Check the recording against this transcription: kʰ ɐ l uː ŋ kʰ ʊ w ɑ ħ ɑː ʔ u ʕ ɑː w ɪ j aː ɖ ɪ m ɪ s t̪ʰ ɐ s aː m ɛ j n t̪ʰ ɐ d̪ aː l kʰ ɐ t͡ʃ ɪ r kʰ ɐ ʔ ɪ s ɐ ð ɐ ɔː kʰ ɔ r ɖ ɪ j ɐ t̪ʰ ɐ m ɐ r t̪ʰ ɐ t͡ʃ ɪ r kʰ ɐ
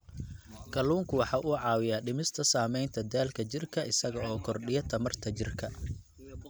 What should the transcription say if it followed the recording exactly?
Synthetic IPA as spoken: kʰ ɐ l uː ŋ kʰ ʊ w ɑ ħ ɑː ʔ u ʕ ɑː w ɪ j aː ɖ ɪ m ɪ s t̪ʰ ɐ s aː m ɛ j n t̪ʰ ɐ d̪ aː l kʰ ɐ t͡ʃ ɪ r kʰ ɐ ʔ ɪ s ɐ ɣ ɐ ɔː kʰ ɔ r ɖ ɪ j ɐ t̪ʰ ɐ m ɐ r t̪ʰ ɐ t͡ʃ ɪ r kʰ ɐ